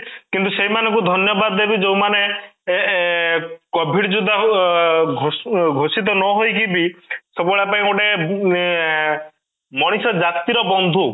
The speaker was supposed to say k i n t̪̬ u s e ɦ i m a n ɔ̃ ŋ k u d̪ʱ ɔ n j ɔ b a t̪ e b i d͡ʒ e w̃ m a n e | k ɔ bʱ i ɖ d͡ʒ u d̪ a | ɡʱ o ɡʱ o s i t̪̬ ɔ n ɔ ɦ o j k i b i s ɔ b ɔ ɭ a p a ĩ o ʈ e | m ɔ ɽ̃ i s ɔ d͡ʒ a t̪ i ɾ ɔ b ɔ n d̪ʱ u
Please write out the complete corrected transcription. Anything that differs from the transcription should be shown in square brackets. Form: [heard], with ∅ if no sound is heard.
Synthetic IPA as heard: k i n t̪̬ u s e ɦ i m a n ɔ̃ ŋ k u d̪ʱ ɔ n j ɔ b a [d̪] e b i d͡ʒ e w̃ m a n e | k ɔ bʱ i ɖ d͡ʒ u d̪ a | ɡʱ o ɡʱ o s i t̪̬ ɔ n ɔ ɦ o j k i b i s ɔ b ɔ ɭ a p a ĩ o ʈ e | m ɔ ɽ̃ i s ɔ d͡ʒ a t̪ i ɾ ɔ b ɔ n d̪ʱ u

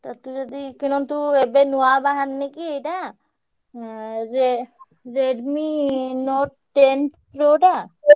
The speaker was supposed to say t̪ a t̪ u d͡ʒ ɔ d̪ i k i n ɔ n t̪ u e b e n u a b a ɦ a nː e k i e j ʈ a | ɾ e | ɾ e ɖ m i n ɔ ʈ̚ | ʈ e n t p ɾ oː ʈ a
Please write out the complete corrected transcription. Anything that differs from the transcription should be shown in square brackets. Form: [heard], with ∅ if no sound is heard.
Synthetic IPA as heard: t̪ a t̪ u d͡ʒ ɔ d̪ i k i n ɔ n t̪ u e b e n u a b a ɦ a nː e k i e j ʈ a | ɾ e | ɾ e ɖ m i n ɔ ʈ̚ | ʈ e n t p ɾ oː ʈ a

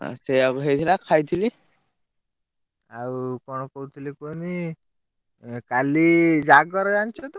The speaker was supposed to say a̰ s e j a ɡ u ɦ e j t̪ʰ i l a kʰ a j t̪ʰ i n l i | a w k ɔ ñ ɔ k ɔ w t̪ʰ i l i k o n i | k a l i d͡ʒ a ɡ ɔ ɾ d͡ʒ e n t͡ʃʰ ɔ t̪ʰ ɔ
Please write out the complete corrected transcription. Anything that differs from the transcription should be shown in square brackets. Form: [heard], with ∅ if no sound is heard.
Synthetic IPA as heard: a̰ s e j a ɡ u ɦ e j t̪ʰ i l a kʰ a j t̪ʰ i [∅] l i | a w k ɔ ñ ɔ k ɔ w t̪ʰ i l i k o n i | k a l i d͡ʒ a ɡ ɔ ɾ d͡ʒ [a] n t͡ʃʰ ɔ [t̪] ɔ

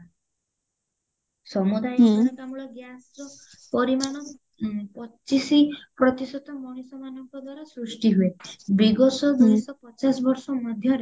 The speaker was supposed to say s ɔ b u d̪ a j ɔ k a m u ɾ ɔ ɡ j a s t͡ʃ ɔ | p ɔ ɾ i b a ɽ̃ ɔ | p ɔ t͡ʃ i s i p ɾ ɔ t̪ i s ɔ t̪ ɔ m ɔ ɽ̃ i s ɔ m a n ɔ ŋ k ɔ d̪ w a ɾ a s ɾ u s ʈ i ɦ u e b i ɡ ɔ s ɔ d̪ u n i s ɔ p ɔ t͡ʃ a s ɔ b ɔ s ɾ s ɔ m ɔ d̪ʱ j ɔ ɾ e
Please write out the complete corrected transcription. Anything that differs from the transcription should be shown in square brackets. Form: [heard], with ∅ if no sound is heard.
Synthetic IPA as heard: s ɔ [m] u d̪ a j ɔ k a m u [ɭ] ɔ ɡ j a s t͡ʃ ɔ | p ɔ ɾ i [m] a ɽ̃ ɔ | p ɔ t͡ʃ i s i p ɾ ɔ t̪ i s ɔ t̪ ɔ m ɔ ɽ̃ i s ɔ m a n ɔ ŋ k ɔ d̪ w a ɾ a s ɾ u s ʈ i ɦ u e b i ɡ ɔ s ɔ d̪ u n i s ɔ p ɔ t͡ʃ a s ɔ b ɔ [∅] ɾ s ɔ m ɔ d̪ʱ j ɔ ɾ e

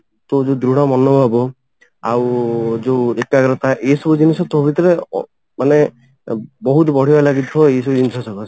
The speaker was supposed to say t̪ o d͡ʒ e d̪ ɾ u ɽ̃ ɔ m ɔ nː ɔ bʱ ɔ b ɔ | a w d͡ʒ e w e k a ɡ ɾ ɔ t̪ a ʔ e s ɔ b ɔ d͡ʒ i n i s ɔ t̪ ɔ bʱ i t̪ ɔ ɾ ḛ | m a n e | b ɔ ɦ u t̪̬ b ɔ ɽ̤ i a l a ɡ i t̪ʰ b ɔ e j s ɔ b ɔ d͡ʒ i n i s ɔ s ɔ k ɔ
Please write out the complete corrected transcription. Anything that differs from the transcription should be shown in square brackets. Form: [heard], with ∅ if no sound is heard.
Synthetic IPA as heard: t̪ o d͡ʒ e d̪ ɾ u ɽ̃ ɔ m ɔ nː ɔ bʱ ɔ b ɔ | a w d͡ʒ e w e k a ɡ ɾ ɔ t̪ a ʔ e s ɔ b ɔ d͡ʒ i n i s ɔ t̪ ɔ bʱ i t̪ ɔ ɾ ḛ | m a n e | b ɔ ɦ u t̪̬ b ɔ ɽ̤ i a l a ɡ i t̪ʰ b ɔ e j s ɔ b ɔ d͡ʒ i n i s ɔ s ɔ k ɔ

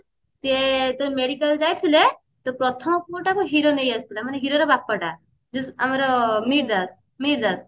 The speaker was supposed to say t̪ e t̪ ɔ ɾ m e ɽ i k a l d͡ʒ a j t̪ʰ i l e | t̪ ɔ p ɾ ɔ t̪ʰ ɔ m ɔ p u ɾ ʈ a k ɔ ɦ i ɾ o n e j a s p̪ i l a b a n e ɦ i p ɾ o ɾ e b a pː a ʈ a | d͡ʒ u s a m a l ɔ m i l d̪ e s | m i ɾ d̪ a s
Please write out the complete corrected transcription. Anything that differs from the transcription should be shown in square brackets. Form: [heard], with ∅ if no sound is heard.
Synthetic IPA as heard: t̪ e t̪ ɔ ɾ m e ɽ i k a l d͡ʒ a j t̪ʰ i l e | t̪ ɔ p ɾ ɔ t̪ʰ ɔ m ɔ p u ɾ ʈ a k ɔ ɦ i ɾ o n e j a s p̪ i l a [m] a n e ɦ i [∅] ɾ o ɾ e b a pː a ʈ a | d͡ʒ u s a m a [ɾ] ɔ m i [ɾ] d̪ [a] s | m i ɾ d̪ a s

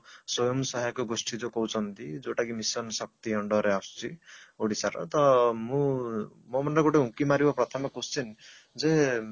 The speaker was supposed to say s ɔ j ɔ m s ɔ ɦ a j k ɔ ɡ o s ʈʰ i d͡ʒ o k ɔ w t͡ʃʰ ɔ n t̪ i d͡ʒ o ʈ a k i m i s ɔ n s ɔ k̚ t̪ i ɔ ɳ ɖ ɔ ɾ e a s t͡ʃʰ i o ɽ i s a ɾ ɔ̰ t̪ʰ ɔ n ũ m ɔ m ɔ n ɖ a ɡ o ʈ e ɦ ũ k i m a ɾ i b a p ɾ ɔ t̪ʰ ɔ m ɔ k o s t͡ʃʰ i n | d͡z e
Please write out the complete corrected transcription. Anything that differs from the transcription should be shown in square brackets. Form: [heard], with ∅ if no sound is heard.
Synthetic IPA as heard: s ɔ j ɔ m s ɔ ɦ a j k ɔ ɡ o s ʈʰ i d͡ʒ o k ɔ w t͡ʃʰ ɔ n t̪ i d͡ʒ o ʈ a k i m i s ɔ n s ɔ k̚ t̪ i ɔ ɳ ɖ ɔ ɾ e a s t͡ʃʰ i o ɽ i s a ɾ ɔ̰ [t̪] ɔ [m] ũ m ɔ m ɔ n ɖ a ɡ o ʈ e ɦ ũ k i m a ɾ i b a p ɾ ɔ t̪ʰ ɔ m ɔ k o s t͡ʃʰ i n | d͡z e

